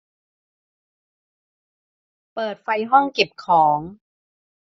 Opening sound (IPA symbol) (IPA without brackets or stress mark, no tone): p